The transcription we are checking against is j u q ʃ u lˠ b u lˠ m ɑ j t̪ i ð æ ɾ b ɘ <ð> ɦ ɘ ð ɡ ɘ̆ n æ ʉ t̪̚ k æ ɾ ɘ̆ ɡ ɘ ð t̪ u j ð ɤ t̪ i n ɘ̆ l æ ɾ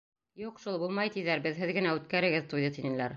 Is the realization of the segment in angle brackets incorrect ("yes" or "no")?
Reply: no